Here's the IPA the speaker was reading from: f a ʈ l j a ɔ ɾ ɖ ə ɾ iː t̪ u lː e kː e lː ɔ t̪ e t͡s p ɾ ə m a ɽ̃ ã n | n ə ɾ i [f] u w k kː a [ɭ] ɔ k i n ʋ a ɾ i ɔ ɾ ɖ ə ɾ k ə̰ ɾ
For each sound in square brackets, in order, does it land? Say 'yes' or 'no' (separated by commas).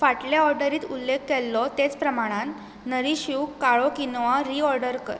no, yes